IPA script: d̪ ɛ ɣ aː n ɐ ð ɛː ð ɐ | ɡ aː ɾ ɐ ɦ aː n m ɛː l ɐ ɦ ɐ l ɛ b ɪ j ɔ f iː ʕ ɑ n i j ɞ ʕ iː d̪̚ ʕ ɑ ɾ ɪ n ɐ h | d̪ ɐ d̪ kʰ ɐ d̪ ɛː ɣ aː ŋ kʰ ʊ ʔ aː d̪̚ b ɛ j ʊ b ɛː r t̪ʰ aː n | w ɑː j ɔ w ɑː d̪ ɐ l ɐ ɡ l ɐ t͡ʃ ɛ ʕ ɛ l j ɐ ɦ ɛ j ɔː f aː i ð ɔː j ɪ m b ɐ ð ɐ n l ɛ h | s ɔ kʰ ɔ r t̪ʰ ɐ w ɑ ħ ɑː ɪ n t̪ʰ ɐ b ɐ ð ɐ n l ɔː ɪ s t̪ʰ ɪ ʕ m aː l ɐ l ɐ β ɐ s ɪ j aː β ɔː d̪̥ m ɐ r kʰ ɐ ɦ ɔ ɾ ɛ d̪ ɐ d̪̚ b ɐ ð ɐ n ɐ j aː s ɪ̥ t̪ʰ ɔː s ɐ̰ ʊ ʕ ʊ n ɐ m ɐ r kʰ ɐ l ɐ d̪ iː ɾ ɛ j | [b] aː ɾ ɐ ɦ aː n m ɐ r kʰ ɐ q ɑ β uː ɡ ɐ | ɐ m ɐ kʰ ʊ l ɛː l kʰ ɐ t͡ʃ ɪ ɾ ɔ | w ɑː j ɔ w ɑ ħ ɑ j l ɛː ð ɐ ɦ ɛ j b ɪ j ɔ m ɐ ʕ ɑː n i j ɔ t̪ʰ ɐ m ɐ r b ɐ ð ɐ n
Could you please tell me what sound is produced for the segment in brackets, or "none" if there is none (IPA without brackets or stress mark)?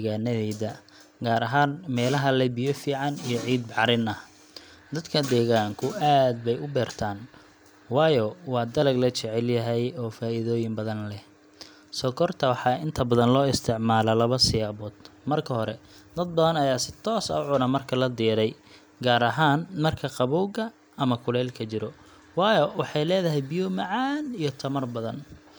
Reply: ɡ